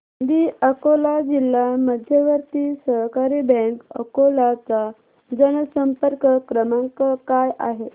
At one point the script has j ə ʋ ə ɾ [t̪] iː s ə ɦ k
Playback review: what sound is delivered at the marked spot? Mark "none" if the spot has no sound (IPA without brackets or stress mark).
t̪